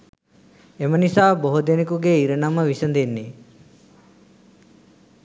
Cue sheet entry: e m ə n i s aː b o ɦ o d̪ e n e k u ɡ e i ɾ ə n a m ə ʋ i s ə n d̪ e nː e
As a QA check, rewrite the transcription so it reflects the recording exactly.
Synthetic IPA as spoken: e m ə n i s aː b o ɦ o d̪ e n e k u ɡ e i ɾ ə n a m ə ʋ i s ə n d̪ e nː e